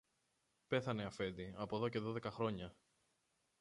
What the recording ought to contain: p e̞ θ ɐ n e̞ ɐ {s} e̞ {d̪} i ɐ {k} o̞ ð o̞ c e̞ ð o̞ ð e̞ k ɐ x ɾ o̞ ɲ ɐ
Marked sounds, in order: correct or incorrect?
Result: incorrect: f, correct, incorrect: p

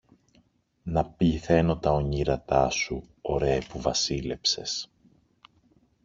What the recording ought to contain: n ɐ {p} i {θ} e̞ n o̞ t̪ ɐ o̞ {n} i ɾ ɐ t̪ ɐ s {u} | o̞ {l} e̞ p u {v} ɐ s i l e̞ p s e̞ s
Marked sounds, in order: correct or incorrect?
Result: correct, correct, incorrect: ɲ, correct, incorrect: ɾ, correct

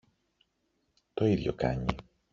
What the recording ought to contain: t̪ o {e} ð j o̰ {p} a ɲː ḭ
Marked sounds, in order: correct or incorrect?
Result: incorrect: i, incorrect: k

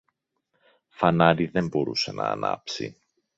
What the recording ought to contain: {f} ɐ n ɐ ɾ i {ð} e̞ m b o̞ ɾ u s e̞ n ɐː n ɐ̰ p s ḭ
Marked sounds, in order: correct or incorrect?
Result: correct, correct

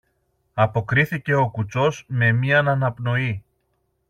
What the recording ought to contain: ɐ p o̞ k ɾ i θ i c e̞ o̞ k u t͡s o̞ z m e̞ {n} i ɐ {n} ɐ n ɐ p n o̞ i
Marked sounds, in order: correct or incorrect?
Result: incorrect: m, correct

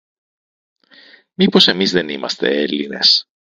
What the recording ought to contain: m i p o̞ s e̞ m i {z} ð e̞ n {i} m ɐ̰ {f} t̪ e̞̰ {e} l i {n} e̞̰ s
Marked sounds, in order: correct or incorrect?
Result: correct, correct, incorrect: s, correct, correct

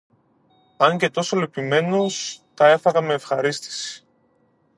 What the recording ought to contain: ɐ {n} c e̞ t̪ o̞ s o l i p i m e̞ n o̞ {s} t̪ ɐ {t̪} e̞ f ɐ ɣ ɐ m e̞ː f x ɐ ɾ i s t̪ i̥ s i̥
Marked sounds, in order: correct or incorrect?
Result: incorrect: ɲ, correct, incorrect: none

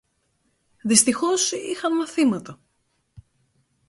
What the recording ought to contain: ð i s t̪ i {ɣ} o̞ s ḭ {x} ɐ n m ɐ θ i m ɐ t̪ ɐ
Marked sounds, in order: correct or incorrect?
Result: incorrect: x, correct

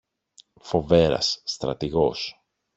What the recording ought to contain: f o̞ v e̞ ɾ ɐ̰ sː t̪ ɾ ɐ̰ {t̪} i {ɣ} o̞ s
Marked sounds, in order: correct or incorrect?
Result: correct, correct

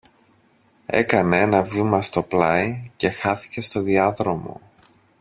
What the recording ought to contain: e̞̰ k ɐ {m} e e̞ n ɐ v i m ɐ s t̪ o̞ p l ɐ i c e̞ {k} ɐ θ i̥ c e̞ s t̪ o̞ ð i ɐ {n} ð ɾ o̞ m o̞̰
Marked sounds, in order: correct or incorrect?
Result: incorrect: n, incorrect: x, incorrect: none

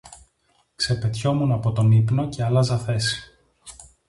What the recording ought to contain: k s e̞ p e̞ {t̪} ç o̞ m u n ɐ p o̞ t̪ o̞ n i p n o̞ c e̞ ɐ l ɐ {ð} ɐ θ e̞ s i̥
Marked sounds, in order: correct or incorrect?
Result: correct, incorrect: z

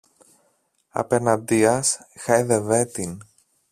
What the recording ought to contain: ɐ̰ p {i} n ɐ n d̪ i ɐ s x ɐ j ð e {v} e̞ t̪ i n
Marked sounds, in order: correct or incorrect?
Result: incorrect: e, correct

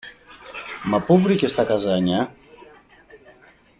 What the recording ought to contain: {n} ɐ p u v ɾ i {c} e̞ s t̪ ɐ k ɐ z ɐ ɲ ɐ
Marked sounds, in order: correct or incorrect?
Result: incorrect: m, correct

